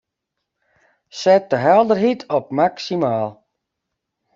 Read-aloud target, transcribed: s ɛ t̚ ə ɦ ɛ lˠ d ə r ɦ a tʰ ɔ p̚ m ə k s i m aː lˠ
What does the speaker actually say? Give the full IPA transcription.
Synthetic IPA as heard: s ɛ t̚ ə ɦ ɛ lˠ d ə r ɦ i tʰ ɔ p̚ m a k s i m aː lˠ